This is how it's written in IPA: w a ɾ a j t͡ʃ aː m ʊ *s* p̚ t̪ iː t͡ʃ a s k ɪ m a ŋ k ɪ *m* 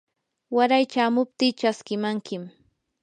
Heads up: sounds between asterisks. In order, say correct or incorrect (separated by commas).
incorrect, correct